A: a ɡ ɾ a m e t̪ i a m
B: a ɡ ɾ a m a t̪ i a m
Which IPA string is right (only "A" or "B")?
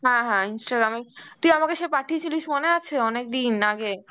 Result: A